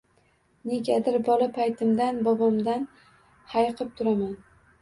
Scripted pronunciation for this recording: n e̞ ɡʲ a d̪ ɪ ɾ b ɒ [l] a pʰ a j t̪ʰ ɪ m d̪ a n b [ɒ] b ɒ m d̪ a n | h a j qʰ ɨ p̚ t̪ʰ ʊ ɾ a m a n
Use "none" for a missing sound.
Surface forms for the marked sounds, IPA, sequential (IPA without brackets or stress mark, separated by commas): l, ɒ